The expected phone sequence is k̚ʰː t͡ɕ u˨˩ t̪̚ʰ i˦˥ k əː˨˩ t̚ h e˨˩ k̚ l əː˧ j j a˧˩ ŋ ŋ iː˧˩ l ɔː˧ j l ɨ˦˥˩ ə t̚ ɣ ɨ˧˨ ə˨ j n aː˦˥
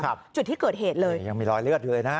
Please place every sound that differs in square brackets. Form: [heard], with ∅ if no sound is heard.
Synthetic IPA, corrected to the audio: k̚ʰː t͡ɕ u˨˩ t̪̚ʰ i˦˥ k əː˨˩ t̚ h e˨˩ [t̚] l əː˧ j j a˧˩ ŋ [m] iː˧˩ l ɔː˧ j l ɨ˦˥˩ ə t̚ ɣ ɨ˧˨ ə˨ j n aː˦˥